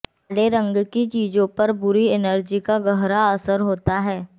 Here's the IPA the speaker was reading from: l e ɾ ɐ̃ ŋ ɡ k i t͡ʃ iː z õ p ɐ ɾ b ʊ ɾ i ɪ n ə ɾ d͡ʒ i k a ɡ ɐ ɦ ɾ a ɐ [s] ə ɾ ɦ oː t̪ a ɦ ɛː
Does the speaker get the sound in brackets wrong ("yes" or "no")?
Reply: no